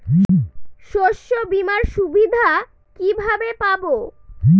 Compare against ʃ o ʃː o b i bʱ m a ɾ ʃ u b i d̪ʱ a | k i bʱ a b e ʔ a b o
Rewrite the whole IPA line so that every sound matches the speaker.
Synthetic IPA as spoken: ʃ o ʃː o b i m a ɾ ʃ u b i d̪ʱ a | k i bʱ a b e p a b o

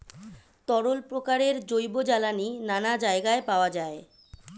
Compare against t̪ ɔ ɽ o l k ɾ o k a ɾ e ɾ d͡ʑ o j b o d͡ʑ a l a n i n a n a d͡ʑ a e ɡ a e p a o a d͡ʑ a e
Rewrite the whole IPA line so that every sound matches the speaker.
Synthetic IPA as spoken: t̪ ɔ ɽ o l p ɾ o k a ɾ e ɾ d͡ʑ o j b o d͡ʑ a l a n i n a n a d͡ʑ a e ɡ a e p a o a d͡ʑ a e

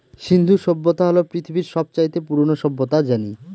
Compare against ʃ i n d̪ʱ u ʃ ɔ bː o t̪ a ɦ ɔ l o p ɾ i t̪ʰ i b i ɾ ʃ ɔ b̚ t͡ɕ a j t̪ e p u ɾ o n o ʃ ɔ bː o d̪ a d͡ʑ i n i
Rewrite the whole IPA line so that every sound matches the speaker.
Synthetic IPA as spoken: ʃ i n d̪ʱ u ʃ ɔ bː o t̪ a ɦ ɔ l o p ɾ i t̪ʰ i b i ɾ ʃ ɔ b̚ t͡ɕ a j t̪ e p u ɾ o n o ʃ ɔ bː o t̪ a d͡ʑ a n i

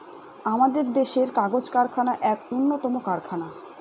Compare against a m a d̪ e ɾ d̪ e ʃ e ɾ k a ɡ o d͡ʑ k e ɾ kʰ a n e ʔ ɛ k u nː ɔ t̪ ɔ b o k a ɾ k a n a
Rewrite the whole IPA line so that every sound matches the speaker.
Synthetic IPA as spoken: a m a d̪ e ɾ d̪ e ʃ e ɾ k a ɡ o d͡ʑ k a ɾ kʰ a n a ʔ ɛ k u nː o t̪ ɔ m o k a ɾ kʰ a n a

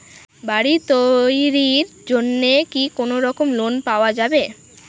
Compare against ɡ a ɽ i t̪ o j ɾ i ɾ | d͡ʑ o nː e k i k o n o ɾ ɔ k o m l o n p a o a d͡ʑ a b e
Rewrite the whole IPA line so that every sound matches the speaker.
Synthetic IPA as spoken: b a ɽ i t̪ o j ɾ i ɾ | d͡ʑ o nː e k i k o n o ɾ ɔ k o m l o n p a o a d͡ʑ a b e

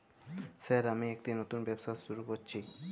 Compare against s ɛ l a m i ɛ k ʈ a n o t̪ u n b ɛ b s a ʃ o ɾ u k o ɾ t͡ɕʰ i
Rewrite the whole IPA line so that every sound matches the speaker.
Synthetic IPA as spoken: s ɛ ɾ a m i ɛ k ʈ i n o t̪ u n b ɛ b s a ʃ u ɾ u k o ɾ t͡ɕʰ i

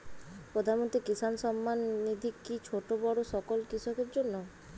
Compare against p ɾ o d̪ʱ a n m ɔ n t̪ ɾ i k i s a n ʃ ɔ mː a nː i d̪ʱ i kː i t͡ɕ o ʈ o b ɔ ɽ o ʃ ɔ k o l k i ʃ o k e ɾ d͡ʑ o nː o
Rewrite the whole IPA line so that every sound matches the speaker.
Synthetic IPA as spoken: p ɾ o d̪ʱ a n m o n t̪ ɾ i k i s a n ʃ ɔ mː a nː i d̪ʱ i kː i t͡ɕʰ o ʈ o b ɔ ɽ o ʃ ɔ k o l k i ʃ o k e ɾ d͡ʑ o nː o

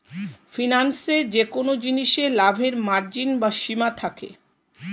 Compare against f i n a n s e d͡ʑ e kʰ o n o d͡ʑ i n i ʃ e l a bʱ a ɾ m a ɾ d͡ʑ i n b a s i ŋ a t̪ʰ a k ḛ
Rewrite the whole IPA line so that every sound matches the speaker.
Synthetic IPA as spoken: f i n a n s e d͡ʑ e k o n o d͡ʑ i n i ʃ e l a bʱ e ɾ m a ɾ d͡ʑ i n b a ʃ i m a t̪ʰ a k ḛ

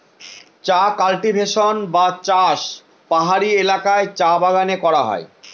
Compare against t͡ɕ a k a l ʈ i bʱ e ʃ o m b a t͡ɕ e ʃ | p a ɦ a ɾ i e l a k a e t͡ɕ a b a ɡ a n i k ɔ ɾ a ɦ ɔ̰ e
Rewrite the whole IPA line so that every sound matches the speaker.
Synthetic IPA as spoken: t͡ɕ a k a l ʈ i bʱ e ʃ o n b a t͡ɕ a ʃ | p a ɦ a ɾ i e l a k a e t͡ɕ a b a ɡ a n e k ɔ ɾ a ɦ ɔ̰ e

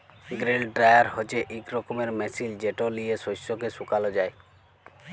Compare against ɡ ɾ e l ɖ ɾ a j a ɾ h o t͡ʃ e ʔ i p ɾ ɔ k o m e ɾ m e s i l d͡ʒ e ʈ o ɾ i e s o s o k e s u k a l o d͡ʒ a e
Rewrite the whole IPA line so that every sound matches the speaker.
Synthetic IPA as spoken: ɡ ɾ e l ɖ ɾ a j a ɾ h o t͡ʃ e ʔ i k ɾ ɔ k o m e ɾ m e s i l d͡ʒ e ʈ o l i e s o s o k e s u k a l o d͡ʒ a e

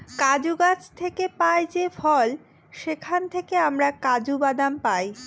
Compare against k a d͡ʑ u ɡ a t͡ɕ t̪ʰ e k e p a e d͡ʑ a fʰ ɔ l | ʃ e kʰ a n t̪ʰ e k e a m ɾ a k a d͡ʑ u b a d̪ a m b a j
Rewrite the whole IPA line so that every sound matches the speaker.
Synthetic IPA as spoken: k a d͡ʑ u ɡ a t͡ɕ t̪ʰ e k e p a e d͡ʑ e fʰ ɔ l | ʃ e kʰ a n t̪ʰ e k e a m ɾ a k a d͡ʑ u b a d̪ a m p a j

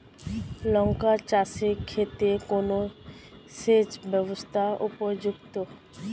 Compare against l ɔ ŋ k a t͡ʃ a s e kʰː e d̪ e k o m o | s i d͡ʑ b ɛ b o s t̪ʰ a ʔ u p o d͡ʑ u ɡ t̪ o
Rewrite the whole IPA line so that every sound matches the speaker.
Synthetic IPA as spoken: l ɔ ŋ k a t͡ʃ a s e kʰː e t̪ e k o n o | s e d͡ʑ b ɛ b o s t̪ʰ a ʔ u p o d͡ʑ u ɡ t̪ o

